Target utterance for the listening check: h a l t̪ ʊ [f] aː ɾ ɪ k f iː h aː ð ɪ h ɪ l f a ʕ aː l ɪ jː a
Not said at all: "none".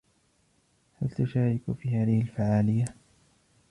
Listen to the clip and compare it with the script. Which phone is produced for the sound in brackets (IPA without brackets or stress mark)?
ʃ